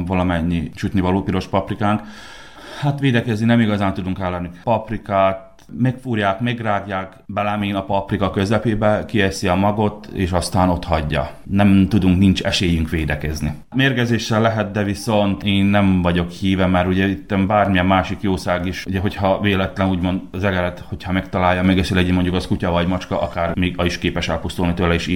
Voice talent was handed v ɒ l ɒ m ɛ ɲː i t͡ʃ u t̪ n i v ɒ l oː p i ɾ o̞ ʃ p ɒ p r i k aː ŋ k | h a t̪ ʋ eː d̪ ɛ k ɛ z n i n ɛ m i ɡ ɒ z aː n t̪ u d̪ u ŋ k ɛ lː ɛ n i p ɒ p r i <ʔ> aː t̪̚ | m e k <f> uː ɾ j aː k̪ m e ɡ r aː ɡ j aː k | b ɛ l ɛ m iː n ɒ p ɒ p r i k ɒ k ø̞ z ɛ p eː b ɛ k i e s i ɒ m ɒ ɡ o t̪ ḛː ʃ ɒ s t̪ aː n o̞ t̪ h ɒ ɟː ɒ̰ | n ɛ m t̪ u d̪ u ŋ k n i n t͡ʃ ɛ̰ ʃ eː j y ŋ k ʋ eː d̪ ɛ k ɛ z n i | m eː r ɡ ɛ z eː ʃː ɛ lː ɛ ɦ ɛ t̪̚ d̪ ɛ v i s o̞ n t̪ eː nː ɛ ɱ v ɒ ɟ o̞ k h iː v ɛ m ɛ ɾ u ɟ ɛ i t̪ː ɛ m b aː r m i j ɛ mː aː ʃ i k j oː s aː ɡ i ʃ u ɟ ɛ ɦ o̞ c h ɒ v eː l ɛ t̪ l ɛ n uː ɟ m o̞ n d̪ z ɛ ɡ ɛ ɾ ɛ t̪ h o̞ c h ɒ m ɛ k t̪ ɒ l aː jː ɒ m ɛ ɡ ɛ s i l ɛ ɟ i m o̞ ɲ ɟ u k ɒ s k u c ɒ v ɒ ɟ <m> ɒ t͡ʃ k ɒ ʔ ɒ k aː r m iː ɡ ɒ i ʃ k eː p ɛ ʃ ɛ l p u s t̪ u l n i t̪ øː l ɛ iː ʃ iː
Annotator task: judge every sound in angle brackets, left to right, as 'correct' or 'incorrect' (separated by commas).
incorrect, correct, correct